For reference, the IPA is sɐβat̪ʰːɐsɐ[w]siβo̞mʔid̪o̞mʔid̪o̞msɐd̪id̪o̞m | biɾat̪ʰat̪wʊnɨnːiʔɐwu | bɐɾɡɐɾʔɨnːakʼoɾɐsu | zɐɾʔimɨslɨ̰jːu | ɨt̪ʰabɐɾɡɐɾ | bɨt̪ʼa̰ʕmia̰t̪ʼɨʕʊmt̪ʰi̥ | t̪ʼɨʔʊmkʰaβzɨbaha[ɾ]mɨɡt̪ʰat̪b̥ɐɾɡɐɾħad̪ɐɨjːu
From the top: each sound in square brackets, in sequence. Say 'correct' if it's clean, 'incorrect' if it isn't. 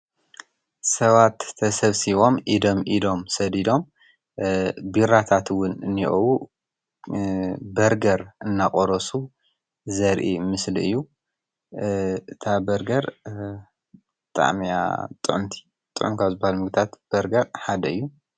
incorrect, incorrect

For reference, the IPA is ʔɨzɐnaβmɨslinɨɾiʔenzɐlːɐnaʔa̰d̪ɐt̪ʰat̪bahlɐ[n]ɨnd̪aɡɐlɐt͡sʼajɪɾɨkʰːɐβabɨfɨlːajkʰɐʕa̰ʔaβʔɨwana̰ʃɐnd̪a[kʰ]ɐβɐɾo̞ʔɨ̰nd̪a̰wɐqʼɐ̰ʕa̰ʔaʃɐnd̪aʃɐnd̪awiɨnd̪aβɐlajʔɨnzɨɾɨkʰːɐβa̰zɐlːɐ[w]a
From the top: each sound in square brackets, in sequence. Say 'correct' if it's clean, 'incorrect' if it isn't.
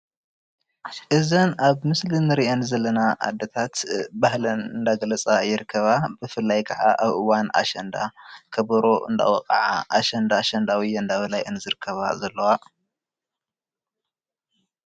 correct, correct, correct

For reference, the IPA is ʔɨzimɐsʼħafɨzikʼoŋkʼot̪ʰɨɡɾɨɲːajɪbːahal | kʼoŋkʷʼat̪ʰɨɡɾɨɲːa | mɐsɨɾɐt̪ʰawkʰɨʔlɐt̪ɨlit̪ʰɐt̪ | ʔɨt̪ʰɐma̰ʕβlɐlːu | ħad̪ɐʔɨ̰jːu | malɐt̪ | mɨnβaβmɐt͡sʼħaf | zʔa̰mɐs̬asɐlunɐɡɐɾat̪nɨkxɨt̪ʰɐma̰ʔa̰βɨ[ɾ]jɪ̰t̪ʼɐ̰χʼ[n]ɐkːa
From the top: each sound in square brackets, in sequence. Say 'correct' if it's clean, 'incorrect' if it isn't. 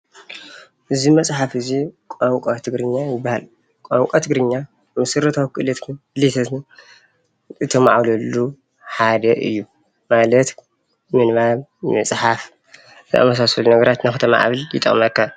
incorrect, incorrect

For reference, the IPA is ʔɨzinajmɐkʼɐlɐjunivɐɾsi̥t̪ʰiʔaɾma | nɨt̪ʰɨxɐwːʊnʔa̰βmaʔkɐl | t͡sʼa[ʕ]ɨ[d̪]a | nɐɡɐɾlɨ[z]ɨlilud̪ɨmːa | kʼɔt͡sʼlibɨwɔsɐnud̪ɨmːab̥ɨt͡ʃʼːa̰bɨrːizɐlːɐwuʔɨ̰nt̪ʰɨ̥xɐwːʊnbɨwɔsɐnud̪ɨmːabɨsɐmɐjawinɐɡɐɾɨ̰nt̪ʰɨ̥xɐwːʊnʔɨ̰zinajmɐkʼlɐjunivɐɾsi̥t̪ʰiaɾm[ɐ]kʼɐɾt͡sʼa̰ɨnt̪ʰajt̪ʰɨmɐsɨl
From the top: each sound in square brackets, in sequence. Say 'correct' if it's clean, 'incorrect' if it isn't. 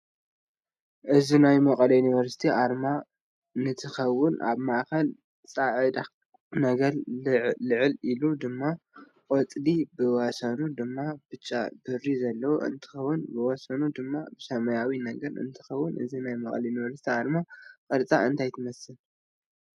correct, correct, incorrect, incorrect

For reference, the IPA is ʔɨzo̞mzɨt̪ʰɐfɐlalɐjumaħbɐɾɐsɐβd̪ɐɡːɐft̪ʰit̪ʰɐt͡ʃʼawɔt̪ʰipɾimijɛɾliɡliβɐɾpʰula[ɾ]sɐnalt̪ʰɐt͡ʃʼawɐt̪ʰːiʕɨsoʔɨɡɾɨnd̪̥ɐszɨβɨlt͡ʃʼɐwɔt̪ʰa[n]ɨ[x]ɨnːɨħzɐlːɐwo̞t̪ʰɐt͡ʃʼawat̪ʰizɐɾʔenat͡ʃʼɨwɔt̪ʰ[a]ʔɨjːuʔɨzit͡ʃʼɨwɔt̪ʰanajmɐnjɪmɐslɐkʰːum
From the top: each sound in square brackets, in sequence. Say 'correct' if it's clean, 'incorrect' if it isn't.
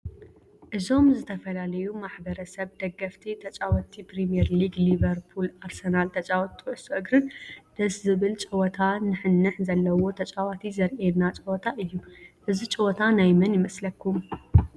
correct, correct, incorrect, correct

